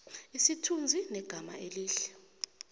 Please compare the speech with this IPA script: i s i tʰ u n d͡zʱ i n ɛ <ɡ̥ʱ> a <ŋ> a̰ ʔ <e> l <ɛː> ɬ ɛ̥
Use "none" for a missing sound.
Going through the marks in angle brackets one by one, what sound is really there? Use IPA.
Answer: ɡ̥ʱ, m, e, iː

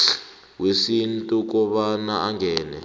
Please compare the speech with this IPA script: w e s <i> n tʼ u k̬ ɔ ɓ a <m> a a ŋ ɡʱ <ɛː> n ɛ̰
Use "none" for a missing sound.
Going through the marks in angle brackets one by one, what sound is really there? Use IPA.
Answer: i, n, ɛː

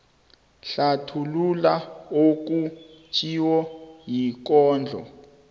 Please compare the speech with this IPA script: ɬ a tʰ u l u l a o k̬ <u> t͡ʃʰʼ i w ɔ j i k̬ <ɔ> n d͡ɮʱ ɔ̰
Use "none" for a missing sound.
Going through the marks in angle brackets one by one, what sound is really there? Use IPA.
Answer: u, ɔː

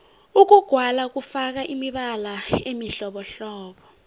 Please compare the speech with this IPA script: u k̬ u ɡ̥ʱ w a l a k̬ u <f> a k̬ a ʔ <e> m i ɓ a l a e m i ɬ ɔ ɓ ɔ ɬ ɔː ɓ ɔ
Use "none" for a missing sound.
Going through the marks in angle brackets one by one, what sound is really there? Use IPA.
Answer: f, i

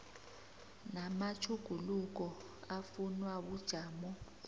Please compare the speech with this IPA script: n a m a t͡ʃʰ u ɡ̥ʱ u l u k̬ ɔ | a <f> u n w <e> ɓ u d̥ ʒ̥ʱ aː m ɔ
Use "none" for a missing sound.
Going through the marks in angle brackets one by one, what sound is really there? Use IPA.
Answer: f, a

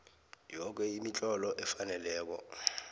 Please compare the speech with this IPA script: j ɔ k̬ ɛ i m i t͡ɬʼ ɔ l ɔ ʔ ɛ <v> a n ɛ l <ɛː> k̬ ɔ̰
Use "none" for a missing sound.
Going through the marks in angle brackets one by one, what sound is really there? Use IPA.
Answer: f, ɛː

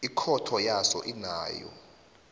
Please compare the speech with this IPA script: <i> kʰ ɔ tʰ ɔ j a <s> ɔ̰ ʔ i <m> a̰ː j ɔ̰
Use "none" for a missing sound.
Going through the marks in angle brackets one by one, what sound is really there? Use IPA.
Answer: i, s, n

